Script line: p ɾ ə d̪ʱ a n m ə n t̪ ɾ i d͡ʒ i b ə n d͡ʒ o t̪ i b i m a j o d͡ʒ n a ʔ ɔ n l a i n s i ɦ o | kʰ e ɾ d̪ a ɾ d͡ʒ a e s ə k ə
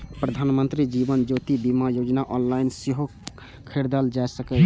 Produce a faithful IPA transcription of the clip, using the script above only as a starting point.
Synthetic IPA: p ɾ ə d̪ʱ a n m ə n t̪ ɾ i d͡ʒ i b ə n d͡ʒ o t̪ i b i m a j o d͡ʒ n a ʔ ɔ n l a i n s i ɦ o | kʰ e ɾ d̪ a l d͡ʒ a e s ə k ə